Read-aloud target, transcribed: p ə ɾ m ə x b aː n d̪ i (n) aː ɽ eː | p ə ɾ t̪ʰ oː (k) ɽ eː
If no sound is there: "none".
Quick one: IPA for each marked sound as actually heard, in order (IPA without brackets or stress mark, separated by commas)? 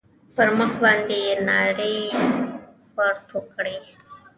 n, k